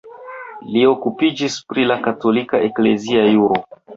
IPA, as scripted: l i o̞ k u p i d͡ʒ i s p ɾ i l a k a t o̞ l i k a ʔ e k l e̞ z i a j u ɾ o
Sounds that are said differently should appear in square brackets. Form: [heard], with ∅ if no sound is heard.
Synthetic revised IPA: l i o̞ k u p i d͡ʒ i s p ɾ i l a k a t o̞ l i k a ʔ e k l e̞ z i a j u ɾ o